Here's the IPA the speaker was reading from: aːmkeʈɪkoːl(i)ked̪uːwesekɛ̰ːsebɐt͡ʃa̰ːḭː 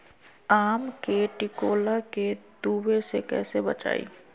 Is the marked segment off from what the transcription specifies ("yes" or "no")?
yes